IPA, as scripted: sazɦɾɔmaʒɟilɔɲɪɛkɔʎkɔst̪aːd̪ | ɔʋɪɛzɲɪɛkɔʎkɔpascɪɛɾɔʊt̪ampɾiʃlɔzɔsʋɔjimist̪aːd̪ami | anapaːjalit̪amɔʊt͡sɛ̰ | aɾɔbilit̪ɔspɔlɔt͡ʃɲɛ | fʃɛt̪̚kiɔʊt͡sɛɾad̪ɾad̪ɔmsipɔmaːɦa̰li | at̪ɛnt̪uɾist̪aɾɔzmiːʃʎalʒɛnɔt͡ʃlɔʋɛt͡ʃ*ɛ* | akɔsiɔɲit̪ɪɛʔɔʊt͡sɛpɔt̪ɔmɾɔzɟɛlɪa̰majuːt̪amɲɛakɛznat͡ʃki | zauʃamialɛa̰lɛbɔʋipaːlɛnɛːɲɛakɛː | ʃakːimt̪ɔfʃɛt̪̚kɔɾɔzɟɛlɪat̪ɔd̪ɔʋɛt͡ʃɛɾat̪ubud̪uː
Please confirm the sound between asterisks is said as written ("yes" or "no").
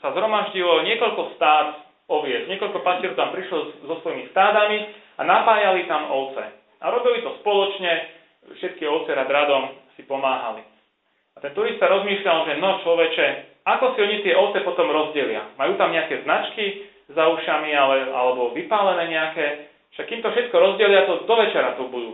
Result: yes